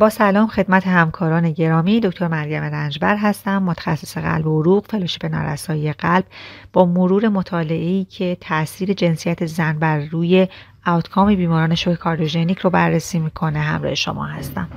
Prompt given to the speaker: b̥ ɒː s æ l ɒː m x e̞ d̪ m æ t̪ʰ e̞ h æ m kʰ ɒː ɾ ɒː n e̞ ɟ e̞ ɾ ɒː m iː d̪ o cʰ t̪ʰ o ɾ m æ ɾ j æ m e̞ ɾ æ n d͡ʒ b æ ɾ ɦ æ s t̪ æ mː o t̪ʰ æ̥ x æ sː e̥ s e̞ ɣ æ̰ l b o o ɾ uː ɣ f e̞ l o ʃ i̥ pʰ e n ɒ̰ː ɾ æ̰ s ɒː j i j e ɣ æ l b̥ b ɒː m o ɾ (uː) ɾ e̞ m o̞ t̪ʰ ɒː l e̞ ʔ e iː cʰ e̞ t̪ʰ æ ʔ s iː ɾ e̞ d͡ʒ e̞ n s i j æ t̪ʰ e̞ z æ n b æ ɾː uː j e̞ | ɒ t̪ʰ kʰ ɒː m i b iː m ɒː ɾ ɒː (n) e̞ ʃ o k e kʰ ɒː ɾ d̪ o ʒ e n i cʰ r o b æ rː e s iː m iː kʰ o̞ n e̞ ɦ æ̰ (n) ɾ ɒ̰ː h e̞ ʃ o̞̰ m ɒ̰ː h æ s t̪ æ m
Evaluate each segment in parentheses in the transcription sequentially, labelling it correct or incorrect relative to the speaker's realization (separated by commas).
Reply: correct, correct, incorrect